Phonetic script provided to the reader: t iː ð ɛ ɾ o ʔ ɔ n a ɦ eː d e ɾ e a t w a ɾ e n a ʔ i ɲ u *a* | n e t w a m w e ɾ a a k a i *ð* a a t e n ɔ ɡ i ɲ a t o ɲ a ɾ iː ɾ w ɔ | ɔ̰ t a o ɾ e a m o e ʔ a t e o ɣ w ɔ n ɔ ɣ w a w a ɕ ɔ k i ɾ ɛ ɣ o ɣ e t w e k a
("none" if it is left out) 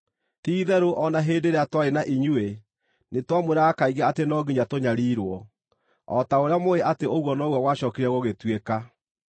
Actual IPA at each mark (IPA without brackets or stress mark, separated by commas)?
e, ɣ